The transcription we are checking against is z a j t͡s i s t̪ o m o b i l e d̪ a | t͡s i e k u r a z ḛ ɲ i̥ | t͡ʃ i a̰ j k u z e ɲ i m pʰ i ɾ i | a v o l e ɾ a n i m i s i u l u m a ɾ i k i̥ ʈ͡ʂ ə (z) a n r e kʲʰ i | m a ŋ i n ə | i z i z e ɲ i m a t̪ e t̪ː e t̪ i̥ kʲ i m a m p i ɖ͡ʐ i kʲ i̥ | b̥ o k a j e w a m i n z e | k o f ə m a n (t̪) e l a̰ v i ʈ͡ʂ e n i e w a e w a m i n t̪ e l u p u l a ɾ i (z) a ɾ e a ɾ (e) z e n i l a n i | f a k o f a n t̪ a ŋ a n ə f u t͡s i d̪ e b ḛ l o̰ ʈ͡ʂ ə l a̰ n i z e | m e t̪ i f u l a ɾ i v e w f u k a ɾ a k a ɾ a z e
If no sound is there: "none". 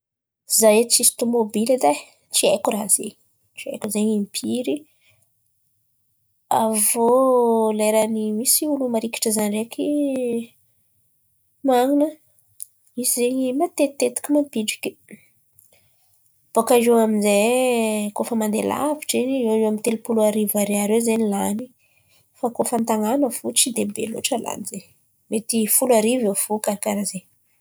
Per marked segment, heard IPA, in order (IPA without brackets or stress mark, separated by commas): z, d̪, v, e